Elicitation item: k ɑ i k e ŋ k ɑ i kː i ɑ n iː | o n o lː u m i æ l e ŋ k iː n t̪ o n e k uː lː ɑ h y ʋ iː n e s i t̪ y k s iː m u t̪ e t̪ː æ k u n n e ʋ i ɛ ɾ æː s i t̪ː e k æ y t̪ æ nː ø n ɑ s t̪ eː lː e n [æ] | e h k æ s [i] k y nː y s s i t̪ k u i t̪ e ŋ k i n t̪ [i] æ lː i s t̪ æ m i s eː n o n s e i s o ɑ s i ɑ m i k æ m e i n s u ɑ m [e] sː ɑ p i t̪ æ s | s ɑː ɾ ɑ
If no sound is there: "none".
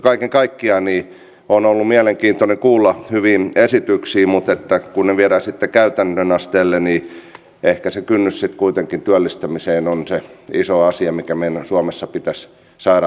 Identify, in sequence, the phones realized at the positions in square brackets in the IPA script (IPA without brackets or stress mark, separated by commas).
i, e, y, e